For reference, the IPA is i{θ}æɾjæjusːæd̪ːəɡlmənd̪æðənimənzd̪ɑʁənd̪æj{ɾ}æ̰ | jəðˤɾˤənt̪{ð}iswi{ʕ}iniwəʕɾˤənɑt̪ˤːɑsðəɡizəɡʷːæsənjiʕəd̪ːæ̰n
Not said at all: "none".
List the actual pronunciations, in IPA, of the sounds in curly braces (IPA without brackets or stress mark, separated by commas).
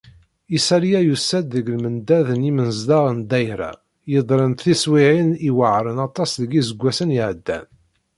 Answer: s, ɾ, θ, ʕ